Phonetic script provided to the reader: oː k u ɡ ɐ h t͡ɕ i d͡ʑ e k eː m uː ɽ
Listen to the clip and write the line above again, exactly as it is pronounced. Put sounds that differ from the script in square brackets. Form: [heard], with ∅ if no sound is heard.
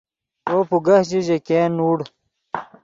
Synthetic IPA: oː [p] u ɡ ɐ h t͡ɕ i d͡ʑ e k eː [n] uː ɽ